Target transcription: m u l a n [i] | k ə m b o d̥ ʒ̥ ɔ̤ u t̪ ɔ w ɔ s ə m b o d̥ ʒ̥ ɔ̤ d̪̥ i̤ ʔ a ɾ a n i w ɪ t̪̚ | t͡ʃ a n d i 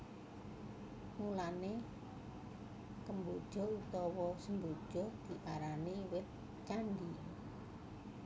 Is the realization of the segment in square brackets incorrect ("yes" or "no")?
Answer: yes